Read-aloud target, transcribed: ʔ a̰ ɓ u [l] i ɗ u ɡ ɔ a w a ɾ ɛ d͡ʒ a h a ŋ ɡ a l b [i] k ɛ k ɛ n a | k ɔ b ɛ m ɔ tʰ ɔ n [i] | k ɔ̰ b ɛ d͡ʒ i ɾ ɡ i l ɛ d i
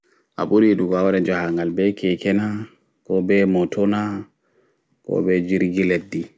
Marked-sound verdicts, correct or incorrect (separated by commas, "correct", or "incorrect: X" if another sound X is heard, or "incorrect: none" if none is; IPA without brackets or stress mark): incorrect: ɾ, incorrect: ɛ, incorrect: a